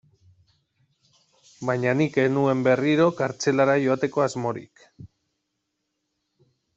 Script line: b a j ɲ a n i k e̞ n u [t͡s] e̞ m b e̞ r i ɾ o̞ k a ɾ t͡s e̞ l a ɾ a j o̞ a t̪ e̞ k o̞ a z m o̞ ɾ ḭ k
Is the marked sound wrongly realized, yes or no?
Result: yes